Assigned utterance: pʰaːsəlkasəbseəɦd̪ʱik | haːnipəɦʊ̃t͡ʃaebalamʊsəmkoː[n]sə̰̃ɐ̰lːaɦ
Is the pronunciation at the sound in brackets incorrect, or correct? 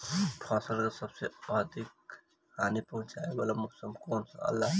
correct